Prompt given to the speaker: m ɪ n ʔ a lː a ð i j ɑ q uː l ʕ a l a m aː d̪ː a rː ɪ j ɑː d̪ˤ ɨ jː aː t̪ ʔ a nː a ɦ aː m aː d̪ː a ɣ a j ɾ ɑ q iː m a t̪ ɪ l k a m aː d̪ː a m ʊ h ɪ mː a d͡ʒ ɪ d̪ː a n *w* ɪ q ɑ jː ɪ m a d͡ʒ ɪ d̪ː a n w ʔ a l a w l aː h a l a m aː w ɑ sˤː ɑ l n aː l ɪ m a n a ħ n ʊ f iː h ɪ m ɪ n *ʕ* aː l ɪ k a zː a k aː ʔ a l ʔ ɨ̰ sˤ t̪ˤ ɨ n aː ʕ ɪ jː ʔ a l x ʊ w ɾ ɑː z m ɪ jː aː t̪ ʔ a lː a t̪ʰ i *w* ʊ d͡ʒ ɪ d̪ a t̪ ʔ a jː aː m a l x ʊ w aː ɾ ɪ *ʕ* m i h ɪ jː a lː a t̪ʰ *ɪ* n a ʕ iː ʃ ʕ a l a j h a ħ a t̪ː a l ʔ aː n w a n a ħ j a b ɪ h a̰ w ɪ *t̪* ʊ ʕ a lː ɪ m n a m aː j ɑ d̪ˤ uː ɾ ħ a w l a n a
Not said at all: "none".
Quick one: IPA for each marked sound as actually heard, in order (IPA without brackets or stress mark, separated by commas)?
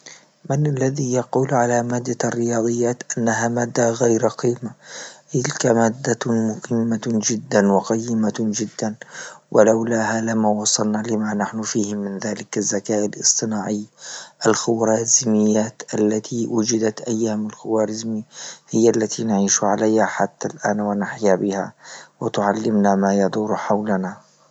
w, ð, w, z, i, t̪